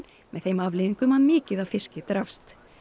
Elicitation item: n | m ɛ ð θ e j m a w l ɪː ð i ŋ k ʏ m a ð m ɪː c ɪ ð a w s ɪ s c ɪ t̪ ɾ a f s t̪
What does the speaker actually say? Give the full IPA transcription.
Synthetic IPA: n | m ɛ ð θ e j m a v l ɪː ð i ŋ k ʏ m a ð m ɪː c ɪ ð a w f ɪ s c ɪ t̪ ɾ a f s t̪

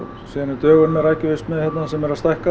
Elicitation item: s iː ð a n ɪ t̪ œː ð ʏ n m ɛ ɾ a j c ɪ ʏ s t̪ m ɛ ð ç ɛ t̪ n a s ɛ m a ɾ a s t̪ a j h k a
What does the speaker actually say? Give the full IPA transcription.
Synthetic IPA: s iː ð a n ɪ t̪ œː ɣ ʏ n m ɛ ɾ a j c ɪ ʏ s t̪ m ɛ ð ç ɛ t̪ n a s ɛ m ɛ ɾ a s t̪ a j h k a

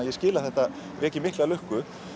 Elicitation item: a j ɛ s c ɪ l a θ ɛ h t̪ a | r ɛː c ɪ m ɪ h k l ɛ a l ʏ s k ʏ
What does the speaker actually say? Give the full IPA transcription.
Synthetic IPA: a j ɛ s c ɪː l a θ ɛ h t̪ a | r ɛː c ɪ m ɪ h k l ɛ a l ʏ h k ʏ

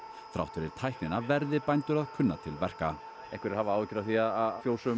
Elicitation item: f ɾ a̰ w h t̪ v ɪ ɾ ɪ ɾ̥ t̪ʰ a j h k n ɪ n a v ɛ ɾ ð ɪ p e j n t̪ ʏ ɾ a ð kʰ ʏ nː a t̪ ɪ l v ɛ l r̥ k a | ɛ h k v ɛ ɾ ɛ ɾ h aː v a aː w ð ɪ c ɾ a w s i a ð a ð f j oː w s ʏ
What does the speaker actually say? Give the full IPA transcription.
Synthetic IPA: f ɾ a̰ w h t̪ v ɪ ɾ ɪ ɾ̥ t̪ʰ a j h k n ɪ n a v ɛ ɾ ð ɪ p a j n t̪ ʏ ɾ a ð kʰ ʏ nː a t̪ʰ ɪ l v ɛ r̥ k a | ɛ h k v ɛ ɾ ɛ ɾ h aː v a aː w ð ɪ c ɾ a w θ i a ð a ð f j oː w s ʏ

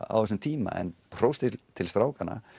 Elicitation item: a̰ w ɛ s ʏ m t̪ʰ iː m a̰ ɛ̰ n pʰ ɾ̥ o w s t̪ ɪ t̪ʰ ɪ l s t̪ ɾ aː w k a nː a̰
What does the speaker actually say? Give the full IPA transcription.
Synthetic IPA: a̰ w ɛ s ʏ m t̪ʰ iː m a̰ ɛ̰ n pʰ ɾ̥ o w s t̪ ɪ t̪ʰ ɪ l s t̪ ɾ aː w k a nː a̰

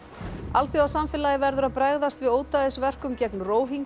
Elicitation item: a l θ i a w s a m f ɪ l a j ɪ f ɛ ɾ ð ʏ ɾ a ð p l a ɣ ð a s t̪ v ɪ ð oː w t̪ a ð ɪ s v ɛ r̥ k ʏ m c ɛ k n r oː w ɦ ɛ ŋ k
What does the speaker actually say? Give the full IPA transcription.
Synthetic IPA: a l θ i a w s a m f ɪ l a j ɪ v ɛ ɾ ð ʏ ɾ a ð p ɾ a ɣ ð a s t̪ v ɪ ð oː w t̪ a ð ɪ s v ɛ r̥ k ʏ m c ɛ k n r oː w ɦ i ŋ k

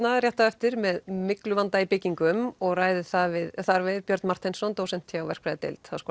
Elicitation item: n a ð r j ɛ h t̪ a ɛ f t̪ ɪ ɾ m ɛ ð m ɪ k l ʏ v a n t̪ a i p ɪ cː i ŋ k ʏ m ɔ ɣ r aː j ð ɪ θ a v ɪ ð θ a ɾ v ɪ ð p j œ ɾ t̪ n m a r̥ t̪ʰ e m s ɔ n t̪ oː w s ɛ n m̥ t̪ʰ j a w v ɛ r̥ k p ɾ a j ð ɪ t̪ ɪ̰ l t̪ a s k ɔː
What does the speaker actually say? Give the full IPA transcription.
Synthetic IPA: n a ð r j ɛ h t̪ a ɛ f t̪ ɪ ɾ m ɛ ð m ɪ k l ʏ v a n t̪ a i p ɪ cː i ŋ k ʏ m ɔ ɣ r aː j ð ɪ θ a v ɪ ð θ a ɾ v ɪ ð p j œ ɾ t̪ n m a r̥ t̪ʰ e n s ɔ n t̪ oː w s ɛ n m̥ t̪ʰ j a w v ɛ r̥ k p ɾ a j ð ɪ t̪ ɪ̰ l t̪ a s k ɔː

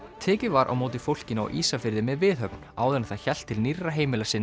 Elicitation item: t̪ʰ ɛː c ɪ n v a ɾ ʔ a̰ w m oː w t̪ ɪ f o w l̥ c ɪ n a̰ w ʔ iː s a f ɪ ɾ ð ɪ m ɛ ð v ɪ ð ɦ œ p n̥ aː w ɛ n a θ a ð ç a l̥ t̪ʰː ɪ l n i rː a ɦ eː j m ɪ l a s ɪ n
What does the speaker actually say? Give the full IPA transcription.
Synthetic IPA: t̪ʰ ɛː c ɪ v a ɾ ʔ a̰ w m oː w t̪ ɪ f o w l̥ c ɪ n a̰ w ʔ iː s a f ɪ ɾ ð ɪ m ɛ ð v ɪ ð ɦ œ p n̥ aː w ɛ n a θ a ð ç ɛ l̥ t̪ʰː ɪ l n i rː a ɦ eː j m ɪ l a s ɪ n

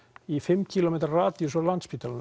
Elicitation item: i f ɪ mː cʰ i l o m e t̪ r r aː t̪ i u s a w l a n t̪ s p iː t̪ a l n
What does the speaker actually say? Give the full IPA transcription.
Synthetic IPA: i f ɪ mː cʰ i l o m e t̪ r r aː t̪ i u s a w l a n t̪ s p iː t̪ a l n

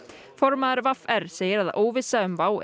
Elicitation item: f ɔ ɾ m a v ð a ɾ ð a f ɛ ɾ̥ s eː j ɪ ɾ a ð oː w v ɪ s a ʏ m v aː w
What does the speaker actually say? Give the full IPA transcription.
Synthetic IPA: f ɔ ɾ m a ð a ɾ v a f ɛ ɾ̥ s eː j ɪ ɾ a ð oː w v ɪ s a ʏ m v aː w

